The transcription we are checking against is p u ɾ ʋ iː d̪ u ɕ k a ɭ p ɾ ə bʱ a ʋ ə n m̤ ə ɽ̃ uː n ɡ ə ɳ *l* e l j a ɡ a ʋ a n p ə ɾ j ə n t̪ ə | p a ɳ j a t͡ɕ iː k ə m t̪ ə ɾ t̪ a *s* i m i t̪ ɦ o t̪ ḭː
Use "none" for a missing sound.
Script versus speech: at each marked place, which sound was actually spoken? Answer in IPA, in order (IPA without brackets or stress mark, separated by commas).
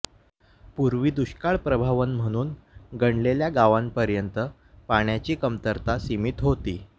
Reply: l, s